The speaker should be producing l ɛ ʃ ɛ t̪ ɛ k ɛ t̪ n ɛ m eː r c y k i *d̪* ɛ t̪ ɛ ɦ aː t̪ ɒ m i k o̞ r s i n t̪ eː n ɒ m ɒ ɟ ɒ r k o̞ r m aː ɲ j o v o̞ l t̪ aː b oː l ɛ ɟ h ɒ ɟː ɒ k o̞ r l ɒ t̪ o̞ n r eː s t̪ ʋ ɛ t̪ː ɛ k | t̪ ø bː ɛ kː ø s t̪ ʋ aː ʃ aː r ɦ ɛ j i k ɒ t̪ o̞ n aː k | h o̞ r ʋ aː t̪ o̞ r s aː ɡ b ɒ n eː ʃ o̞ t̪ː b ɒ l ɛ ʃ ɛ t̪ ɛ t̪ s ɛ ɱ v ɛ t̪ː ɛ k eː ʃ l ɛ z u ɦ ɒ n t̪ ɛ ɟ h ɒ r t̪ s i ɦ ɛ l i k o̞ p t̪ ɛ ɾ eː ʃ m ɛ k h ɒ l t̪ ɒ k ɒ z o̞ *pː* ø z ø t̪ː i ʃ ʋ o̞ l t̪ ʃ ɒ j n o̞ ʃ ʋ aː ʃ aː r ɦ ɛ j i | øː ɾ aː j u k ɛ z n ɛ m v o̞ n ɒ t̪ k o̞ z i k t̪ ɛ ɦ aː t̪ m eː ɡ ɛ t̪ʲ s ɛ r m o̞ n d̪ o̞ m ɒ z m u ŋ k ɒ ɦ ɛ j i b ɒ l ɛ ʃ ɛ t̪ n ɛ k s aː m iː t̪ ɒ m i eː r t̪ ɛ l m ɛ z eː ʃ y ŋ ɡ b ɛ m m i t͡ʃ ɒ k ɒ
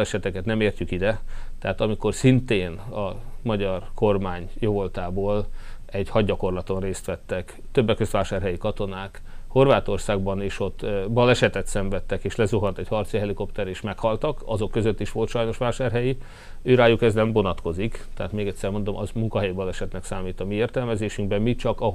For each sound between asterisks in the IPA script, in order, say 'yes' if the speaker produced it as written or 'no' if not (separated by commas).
yes, no